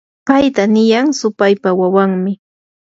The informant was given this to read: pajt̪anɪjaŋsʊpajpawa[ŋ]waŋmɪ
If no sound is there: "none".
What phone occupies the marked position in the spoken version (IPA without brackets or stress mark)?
none